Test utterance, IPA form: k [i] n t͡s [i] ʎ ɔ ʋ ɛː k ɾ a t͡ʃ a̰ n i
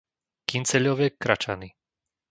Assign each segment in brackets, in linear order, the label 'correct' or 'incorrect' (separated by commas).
correct, incorrect